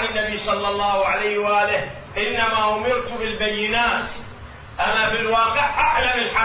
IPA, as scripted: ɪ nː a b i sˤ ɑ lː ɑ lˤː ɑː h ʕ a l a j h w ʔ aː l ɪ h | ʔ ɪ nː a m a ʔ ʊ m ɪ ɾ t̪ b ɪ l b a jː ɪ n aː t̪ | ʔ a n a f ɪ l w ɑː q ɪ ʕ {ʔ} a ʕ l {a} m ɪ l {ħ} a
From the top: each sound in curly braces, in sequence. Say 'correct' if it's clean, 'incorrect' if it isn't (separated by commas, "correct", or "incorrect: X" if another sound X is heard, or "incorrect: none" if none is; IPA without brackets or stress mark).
correct, correct, correct